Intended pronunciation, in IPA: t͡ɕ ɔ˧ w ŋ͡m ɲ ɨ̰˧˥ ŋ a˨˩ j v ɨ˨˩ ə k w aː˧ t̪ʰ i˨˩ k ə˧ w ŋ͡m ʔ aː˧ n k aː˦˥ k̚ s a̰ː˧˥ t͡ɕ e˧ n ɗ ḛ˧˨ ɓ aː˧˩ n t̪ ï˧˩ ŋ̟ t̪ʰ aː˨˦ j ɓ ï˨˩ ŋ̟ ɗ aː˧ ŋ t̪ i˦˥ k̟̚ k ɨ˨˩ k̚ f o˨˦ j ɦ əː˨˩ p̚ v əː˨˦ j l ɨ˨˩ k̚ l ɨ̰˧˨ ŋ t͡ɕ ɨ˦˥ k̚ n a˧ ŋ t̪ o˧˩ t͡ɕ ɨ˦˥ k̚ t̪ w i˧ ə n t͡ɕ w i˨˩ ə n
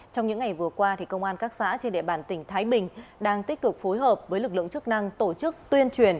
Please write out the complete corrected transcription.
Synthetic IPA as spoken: t͡ɕ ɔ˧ w ŋ͡m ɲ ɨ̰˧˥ ŋ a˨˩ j v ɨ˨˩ ə k w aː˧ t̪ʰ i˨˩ k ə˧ w ŋ͡m ʔ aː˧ n k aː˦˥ k̚ s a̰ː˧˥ t͡ɕ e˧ n ɗ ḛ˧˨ ɓ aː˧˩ n t̪ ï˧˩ ŋ̟ t̪ʰ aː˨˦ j ɓ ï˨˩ ŋ̟ ɗ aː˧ ŋ t̪ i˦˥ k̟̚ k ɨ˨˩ k̚ f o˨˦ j ɦ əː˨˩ p̚ v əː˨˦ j l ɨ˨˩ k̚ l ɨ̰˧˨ ŋ t͡ɕ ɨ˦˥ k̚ n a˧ ŋ t̪ o˧˩ t͡ɕ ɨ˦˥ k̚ t̪ w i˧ ə n t͡ɕ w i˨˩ ə n